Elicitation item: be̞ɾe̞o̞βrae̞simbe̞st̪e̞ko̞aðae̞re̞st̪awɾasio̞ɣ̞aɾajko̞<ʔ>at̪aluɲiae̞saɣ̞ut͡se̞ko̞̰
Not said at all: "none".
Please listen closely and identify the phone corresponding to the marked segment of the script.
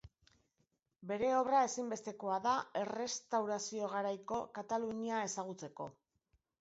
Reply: k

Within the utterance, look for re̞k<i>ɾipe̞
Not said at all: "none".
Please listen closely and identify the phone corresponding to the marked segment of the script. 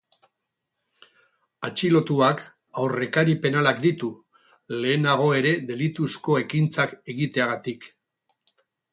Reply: a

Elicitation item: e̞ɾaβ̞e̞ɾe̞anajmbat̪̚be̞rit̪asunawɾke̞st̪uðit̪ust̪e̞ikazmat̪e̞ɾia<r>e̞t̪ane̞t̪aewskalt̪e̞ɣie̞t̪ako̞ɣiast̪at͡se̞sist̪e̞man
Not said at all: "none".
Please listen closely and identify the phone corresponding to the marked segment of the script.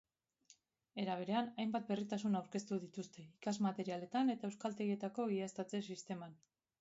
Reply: l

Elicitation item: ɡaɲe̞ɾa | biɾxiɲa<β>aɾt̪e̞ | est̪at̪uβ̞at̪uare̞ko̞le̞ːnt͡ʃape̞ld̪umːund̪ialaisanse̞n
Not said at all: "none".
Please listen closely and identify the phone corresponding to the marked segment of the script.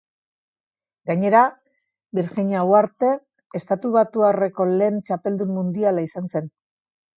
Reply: w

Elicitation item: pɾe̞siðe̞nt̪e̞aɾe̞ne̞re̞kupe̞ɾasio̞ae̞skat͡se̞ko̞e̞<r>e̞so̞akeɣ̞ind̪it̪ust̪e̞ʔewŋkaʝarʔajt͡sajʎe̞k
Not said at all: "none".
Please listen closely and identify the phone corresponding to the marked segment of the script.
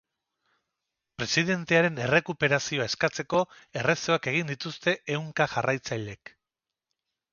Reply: r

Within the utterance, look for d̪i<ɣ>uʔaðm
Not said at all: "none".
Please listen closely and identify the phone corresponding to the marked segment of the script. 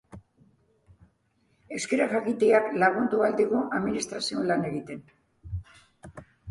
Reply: ɣ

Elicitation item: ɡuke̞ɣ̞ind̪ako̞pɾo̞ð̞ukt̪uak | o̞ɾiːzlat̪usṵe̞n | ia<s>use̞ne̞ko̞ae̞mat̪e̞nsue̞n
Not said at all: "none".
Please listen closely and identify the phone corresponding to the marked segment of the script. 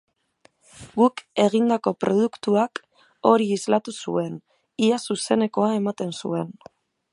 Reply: s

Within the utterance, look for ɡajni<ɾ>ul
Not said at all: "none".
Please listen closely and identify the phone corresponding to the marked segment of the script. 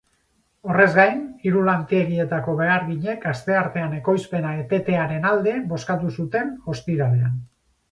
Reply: ɾ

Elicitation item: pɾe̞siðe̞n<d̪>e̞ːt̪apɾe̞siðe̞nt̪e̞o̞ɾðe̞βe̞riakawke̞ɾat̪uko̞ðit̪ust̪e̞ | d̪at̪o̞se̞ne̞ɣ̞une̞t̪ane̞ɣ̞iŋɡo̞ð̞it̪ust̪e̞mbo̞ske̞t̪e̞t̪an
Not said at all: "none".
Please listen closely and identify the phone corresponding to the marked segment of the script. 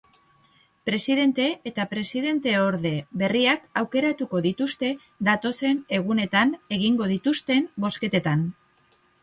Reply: t̪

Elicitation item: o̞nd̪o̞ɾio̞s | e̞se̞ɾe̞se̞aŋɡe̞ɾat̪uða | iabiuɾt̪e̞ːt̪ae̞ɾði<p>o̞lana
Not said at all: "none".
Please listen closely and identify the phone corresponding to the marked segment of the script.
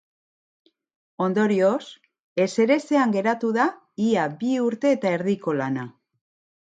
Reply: k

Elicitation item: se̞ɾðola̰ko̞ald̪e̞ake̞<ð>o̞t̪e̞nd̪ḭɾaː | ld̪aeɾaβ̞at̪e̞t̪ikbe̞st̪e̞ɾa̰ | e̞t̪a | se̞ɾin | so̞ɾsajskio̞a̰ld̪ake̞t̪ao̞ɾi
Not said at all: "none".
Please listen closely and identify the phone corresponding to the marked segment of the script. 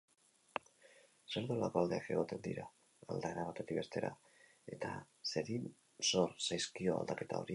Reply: ɣ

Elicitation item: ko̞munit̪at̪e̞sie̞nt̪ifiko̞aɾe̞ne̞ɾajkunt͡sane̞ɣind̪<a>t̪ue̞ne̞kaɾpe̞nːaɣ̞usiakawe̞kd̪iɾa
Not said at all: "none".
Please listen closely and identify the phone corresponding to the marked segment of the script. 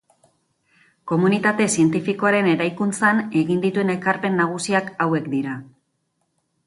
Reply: i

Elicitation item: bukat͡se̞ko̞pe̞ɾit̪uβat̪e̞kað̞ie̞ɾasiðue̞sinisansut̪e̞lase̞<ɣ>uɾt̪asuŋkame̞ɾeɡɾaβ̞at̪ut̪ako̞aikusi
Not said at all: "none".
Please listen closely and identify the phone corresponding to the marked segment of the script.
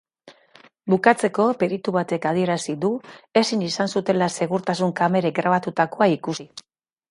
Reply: ɣ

